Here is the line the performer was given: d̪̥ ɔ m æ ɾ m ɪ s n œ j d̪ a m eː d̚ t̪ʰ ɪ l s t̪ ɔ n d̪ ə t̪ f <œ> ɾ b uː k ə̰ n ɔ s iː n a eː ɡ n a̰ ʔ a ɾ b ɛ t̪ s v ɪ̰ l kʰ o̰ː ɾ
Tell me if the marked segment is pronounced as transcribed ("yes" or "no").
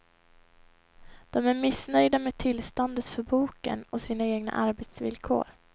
yes